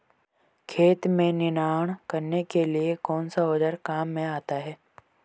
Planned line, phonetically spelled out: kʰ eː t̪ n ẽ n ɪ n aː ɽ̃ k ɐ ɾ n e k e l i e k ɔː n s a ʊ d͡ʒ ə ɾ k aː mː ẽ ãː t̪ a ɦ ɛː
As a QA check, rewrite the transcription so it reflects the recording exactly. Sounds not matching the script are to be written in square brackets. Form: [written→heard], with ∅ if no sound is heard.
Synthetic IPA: kʰ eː t̪ [n→m] ẽ n ɪ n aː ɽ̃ k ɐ ɾ n e k e l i e k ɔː n s a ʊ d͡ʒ ə ɾ k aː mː ẽ [ãː→aː] t̪ a ɦ ɛː

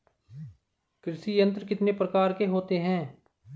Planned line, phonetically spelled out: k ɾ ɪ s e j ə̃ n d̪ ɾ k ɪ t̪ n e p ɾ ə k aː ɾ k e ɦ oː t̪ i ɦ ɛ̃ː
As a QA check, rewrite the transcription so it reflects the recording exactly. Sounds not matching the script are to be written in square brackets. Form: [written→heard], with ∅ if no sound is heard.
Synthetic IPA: k ɾ ɪ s [e→i] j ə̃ n [d̪→t̪] ɾ k ɪ t̪ n e p ɾ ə k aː ɾ k e ɦ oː t̪ [i→e] ɦ ɛ̃ː

